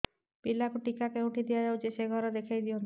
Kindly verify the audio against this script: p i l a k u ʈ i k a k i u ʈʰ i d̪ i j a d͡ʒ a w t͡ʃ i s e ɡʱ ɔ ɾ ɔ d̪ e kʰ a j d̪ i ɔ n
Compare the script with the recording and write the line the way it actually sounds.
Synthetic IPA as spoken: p i l a k u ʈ i k a k e u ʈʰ i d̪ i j a d͡ʒ a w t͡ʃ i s e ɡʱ ɔ ɾ ɔ d̪ e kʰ a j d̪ i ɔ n